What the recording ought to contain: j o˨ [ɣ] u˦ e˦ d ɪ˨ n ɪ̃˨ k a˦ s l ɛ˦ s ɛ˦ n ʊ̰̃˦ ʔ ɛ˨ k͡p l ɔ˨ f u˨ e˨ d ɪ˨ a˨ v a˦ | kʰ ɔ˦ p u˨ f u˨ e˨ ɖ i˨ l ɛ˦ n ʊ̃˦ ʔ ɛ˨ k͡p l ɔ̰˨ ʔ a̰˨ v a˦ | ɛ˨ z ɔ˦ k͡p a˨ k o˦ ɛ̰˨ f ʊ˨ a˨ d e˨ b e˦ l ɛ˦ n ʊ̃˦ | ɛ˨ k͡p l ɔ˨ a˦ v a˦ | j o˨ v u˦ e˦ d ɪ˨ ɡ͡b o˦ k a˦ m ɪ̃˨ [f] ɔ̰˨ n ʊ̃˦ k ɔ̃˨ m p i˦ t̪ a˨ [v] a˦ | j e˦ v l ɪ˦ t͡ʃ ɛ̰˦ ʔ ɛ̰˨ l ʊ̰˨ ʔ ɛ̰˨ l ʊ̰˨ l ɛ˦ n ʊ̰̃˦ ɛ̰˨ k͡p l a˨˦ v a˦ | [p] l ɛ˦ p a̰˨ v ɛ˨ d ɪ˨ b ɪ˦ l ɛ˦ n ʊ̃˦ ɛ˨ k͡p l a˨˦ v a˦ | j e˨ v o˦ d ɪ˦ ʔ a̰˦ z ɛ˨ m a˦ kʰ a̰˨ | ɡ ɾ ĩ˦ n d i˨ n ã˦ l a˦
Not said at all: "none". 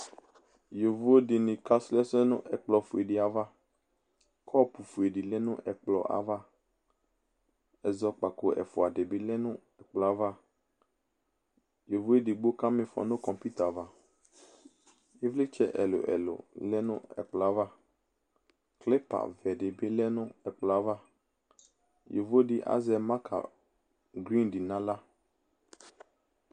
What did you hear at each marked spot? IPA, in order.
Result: v, f, v, k

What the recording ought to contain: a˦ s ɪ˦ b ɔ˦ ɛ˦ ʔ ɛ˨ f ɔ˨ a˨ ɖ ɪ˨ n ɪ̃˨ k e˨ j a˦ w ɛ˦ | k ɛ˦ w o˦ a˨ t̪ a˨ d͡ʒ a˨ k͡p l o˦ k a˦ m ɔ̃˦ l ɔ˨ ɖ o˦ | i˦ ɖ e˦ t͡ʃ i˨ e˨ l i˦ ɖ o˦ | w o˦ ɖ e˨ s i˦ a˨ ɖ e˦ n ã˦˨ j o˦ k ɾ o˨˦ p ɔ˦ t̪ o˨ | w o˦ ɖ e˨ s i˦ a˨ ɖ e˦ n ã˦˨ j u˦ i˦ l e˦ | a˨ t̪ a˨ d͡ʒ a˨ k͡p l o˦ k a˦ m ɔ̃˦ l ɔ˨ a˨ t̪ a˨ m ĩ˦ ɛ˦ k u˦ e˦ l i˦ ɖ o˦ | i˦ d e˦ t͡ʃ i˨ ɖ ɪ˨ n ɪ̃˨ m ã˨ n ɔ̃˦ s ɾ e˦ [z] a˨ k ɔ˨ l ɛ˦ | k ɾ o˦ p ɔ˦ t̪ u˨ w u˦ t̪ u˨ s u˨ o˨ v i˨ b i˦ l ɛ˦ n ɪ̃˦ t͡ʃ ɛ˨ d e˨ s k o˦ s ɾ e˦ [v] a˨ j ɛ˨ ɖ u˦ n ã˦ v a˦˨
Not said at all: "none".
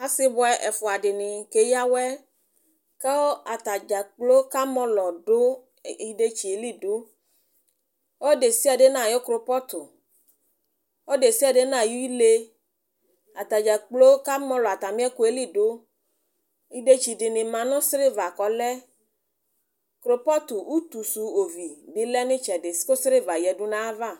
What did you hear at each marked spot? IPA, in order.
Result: v, v

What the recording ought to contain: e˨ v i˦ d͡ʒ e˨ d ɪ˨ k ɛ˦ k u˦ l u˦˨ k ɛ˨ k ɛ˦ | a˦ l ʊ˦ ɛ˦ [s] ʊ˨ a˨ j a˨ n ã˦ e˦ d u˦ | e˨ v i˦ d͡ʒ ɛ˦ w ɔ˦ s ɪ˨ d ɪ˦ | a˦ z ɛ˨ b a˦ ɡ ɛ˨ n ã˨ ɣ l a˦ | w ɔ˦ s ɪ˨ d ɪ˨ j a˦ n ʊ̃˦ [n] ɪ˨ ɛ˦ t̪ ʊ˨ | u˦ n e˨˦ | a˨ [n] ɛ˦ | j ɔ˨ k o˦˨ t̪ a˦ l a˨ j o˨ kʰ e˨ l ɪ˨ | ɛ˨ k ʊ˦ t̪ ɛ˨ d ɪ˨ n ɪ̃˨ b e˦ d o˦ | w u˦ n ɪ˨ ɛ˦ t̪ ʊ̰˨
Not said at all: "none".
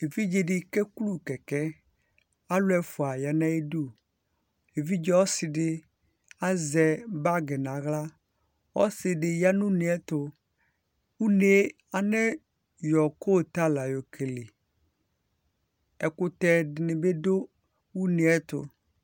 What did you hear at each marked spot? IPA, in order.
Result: f, n, n

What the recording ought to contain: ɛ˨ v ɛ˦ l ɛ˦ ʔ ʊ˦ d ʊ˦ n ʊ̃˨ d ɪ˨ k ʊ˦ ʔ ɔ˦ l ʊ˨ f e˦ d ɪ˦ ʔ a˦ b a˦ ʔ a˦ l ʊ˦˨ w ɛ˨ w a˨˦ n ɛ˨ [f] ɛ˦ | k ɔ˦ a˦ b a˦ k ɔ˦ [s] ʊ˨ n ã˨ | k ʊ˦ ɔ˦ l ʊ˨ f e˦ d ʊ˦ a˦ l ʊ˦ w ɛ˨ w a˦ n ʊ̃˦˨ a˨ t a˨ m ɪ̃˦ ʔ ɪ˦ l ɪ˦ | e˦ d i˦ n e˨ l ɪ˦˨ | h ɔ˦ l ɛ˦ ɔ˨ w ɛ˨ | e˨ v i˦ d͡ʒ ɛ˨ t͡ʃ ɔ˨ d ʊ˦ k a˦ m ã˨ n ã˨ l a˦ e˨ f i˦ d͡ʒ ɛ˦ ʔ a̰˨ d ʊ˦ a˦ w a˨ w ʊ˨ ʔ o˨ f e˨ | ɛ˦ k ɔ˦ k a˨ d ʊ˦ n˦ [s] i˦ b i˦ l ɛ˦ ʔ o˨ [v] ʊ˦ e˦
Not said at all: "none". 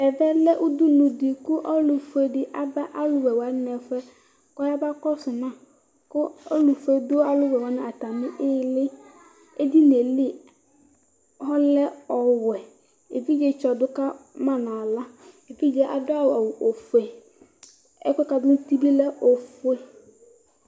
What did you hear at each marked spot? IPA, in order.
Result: f, s, t, f

